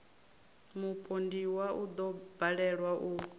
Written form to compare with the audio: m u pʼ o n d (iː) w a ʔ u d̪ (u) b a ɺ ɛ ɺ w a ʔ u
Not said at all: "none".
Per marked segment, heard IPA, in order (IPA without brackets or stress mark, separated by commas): i, ɔ